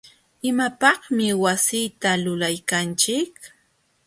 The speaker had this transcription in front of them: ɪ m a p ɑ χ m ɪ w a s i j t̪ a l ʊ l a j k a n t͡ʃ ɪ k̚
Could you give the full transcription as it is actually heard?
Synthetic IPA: ɪ m a p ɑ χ m ɪ w a s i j t̪ a l ʊ l a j k a n t͡ʃ ɪ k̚